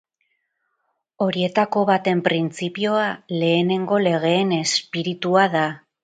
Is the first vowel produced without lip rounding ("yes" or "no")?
no